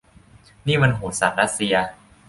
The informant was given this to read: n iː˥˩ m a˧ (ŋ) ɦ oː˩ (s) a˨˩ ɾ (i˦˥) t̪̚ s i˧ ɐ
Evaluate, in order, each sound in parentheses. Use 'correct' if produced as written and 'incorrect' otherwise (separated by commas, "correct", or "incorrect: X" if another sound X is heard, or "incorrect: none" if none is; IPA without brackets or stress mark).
incorrect: n, correct, incorrect: a˦˥